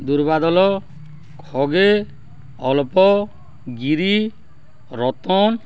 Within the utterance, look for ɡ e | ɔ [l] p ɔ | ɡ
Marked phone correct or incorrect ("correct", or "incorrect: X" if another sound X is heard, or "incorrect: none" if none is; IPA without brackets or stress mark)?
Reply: correct